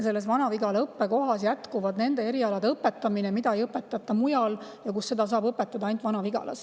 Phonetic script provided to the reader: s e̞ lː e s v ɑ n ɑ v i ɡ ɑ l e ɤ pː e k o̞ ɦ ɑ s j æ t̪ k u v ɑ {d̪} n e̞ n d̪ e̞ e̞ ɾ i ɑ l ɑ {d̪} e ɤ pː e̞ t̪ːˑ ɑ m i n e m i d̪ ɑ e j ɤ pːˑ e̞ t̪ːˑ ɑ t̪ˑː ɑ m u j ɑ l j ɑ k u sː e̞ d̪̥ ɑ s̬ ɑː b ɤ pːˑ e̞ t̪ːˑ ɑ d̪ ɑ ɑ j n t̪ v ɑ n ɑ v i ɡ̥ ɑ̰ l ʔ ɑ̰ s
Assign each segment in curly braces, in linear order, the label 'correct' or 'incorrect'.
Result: correct, correct

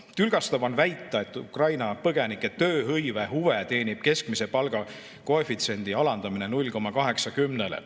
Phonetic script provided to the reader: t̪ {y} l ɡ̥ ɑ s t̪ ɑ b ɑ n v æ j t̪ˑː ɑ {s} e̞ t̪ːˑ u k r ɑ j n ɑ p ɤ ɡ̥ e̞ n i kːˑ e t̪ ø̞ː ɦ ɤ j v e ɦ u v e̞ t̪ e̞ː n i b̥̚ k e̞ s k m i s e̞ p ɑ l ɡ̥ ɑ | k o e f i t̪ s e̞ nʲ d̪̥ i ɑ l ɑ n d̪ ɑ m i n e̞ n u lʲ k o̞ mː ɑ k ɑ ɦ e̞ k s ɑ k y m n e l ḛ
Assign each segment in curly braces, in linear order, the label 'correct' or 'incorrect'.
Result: correct, incorrect: none

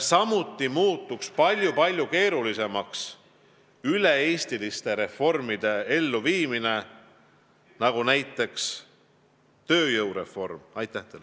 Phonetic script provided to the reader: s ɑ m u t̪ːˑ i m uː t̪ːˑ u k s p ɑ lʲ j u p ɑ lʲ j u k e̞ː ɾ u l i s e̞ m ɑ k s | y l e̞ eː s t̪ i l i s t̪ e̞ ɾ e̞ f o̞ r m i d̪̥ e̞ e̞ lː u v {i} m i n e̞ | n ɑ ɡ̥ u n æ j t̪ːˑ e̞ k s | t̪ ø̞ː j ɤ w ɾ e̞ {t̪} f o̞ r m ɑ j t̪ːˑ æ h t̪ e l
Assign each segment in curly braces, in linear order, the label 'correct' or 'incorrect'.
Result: incorrect: iː, incorrect: none

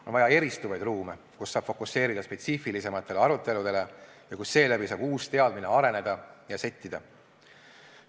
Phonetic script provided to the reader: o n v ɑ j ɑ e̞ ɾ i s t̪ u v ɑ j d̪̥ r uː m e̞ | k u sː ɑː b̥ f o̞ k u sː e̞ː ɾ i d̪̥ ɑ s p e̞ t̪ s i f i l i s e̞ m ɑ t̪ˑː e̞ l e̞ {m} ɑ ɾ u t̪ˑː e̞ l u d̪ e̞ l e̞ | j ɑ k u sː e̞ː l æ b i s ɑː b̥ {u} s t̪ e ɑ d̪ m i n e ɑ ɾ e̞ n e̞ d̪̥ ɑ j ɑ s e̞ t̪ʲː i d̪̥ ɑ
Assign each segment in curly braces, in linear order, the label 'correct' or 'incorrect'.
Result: incorrect: none, incorrect: uː

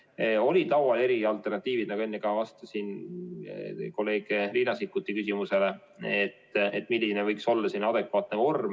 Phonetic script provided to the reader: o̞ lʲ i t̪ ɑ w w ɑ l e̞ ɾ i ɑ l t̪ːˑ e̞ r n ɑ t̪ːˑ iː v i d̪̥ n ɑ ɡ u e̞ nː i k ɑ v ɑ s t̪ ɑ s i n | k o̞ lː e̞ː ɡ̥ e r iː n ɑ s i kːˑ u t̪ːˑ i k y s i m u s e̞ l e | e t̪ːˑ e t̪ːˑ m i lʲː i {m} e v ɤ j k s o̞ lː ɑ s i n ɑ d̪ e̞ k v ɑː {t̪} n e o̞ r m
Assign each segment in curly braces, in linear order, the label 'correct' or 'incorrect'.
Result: incorrect: n, correct

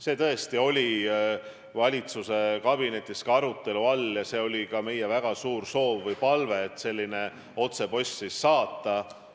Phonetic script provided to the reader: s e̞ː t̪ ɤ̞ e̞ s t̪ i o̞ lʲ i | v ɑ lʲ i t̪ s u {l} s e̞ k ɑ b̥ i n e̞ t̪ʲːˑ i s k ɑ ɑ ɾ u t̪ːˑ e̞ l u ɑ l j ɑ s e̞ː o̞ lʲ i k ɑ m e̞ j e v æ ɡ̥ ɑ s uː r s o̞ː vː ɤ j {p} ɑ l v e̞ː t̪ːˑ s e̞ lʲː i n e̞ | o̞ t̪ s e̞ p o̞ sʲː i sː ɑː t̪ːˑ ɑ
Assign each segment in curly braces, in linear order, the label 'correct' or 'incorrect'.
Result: incorrect: none, correct

